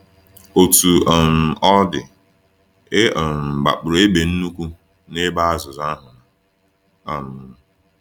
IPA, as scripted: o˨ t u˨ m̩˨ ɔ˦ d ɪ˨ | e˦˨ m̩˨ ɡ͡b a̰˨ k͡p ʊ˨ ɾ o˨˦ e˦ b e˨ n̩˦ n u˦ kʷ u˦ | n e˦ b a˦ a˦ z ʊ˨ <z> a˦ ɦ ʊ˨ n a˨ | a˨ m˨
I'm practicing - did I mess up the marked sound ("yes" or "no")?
no